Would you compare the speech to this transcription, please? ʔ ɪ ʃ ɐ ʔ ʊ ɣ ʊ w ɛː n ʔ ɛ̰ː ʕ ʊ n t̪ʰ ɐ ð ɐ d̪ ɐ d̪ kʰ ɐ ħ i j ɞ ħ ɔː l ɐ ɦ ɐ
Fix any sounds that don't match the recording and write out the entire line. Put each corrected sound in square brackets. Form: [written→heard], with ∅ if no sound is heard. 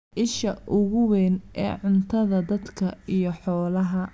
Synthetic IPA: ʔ ɪ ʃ ɐ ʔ ʊ ɣ ʊ w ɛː n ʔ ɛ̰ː ʕ ʊ n t̪ʰ ɐ ð ɐ d̪ ɐ d̪ kʰ ɐ [ħ→∅] i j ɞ ħ ɔː l ɐ ɦ ɐ